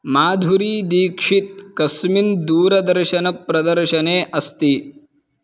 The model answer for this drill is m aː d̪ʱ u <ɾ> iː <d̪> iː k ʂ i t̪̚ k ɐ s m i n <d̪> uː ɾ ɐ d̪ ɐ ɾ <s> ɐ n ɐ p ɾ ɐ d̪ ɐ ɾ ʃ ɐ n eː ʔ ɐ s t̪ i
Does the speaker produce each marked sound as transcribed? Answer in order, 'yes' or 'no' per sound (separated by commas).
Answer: yes, yes, yes, no